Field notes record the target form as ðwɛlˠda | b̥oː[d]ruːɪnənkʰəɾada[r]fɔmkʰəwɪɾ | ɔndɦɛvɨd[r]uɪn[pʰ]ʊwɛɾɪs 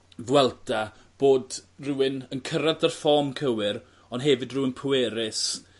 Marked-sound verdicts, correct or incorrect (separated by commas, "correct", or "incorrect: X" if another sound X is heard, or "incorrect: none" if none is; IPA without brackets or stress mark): correct, correct, correct, correct